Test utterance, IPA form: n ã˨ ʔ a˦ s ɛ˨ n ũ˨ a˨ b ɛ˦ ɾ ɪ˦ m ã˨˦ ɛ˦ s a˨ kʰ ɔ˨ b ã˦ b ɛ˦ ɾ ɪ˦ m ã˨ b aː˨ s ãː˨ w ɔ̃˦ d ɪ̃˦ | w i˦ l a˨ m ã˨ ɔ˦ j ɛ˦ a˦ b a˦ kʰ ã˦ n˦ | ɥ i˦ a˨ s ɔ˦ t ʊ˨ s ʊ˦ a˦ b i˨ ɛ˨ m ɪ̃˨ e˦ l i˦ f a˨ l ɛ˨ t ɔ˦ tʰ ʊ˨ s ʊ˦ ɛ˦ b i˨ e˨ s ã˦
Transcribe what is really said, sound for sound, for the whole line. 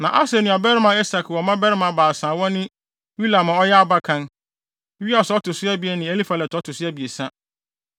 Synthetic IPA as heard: n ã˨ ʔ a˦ s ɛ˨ n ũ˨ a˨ b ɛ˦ ɾ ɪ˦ m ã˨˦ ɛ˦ s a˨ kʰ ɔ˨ m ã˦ b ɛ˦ ɾ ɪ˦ m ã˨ b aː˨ s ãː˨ w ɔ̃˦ n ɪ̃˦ | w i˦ l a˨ m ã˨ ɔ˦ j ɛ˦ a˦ b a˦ kʰ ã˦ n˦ | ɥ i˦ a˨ s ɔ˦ t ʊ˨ s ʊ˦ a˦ b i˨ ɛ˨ n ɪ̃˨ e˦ l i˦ f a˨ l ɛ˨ t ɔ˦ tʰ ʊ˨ s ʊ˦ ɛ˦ b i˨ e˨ s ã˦